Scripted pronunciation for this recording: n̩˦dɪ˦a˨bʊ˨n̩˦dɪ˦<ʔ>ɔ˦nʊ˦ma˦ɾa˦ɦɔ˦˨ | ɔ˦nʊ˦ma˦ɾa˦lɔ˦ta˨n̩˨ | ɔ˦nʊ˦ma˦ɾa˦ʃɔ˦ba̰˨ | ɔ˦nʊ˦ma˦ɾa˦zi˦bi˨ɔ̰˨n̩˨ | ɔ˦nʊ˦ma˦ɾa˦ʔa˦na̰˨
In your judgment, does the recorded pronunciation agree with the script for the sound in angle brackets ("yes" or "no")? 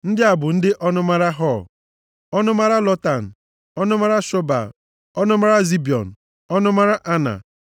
yes